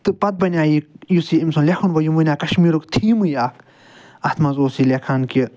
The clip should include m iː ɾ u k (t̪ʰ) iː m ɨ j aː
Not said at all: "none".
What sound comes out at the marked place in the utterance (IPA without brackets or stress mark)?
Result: t̪ʰ